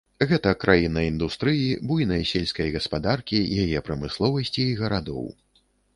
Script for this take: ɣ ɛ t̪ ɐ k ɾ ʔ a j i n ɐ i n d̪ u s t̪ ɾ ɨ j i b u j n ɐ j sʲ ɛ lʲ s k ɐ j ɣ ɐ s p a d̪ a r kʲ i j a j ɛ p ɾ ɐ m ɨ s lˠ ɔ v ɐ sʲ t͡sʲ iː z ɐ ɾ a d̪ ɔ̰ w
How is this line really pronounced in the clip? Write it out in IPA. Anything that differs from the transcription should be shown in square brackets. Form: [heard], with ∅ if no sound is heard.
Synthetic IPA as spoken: ɣ ɛ t̪ ɐ k ɾ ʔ a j i n ɐ i n d̪ u s t̪ ɾ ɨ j i b u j n ɐ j sʲ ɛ lʲ s k ɐ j ɣ ɐ s p a d̪ a r kʲ i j a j ɛ p ɾ ɐ m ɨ s lˠ ɔ v ɐ sʲ t͡sʲ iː [ɣ] ɐ ɾ a d̪ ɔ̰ w